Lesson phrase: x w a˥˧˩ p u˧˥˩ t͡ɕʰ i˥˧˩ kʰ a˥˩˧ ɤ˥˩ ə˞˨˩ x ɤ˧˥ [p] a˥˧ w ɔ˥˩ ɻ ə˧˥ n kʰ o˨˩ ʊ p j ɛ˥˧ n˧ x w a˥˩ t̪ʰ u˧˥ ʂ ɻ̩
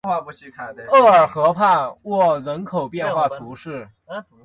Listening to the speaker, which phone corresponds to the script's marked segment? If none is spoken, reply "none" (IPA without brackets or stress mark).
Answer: pʰ